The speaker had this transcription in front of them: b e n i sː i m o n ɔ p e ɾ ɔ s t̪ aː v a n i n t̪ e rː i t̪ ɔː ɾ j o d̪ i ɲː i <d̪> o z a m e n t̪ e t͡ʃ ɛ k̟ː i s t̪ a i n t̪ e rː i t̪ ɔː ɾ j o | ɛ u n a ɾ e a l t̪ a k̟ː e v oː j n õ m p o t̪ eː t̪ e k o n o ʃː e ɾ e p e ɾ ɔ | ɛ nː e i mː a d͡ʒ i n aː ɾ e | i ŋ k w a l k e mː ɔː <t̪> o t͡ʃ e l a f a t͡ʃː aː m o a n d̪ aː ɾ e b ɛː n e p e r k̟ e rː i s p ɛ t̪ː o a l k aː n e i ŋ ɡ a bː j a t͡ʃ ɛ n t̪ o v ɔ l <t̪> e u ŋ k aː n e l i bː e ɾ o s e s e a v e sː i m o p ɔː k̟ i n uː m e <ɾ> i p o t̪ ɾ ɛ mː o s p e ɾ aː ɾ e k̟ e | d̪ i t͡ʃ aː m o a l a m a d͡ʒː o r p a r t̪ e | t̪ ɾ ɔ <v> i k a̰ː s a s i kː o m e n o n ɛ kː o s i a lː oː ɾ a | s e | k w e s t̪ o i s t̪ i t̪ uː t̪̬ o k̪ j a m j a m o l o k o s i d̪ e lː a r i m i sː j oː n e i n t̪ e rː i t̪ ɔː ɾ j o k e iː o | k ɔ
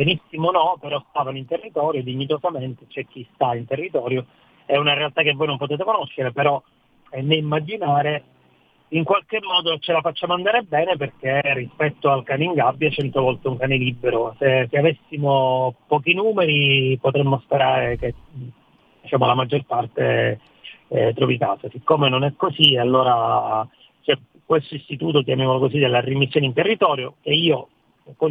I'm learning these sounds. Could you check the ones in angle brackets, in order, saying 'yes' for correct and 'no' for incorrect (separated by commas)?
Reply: no, no, yes, yes, yes